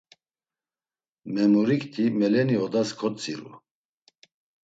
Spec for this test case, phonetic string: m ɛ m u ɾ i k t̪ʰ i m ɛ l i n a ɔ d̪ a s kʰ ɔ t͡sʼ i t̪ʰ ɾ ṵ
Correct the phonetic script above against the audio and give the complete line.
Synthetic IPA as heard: m ɛ m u ɾ i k t̪ʰ i m ɛ l ɛ n i ɔ d̪ a s kʰ ɔ t͡sʼ i ɾ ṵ